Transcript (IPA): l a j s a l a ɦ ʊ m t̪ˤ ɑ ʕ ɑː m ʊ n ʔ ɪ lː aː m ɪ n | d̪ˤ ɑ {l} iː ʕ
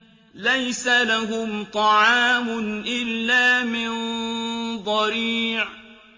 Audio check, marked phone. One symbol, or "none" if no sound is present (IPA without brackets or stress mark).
ɾ